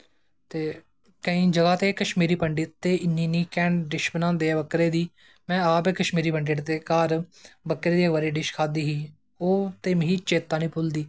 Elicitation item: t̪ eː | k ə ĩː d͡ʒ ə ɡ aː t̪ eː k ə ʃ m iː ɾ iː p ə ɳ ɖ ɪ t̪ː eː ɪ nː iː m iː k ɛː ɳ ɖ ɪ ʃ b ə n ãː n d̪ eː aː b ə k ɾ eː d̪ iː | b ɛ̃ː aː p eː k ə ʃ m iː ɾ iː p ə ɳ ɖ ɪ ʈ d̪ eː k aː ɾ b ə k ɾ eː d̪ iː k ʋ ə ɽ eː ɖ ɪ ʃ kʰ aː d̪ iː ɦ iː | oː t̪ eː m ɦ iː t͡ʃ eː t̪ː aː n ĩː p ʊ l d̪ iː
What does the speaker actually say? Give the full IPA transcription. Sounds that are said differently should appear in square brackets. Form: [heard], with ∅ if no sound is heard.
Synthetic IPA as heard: t̪ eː | k ə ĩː d͡ʒ ə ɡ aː t̪ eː k ə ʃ m iː ɾ iː p ə ɳ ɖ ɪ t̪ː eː ɪ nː iː [n] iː k ɛː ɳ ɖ ɪ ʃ b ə n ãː n d̪ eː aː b ə k ɾ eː d̪ iː | [m] ɛ̃ː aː p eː k ə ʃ m iː ɾ iː p ə ɳ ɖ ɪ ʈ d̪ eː k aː ɾ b ə k ɾ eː d̪ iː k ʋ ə [ɾ] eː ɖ ɪ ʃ kʰ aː d̪ iː ɦ iː | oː t̪ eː m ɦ iː t͡ʃ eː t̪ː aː n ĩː p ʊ l d̪ iː